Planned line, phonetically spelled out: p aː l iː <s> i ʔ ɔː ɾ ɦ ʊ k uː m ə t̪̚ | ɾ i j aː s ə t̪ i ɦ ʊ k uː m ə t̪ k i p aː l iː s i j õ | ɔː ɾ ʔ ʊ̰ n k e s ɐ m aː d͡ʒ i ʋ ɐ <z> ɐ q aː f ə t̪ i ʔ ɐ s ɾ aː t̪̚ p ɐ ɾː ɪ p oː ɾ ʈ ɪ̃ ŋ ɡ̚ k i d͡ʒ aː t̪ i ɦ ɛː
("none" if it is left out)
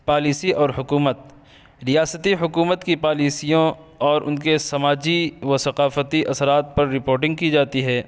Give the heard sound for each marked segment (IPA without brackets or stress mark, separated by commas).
s, s